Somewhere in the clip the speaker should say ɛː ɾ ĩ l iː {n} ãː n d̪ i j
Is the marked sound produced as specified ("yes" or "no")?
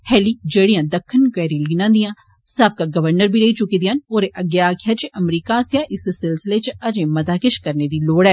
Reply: yes